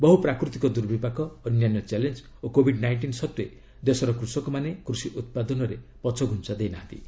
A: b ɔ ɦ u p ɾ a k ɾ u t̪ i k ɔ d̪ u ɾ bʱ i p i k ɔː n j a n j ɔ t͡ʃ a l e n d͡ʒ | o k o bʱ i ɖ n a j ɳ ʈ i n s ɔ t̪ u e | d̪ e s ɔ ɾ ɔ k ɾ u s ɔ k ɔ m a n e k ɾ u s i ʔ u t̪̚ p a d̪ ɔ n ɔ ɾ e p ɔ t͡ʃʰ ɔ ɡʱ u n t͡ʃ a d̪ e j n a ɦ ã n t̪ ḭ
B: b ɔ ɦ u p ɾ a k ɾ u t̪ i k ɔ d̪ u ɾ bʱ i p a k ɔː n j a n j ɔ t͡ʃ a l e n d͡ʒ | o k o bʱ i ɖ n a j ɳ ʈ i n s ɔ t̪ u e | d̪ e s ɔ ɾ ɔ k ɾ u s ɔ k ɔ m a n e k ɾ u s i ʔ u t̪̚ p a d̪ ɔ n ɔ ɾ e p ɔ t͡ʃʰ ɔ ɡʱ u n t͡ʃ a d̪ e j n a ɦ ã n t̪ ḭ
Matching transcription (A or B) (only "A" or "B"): B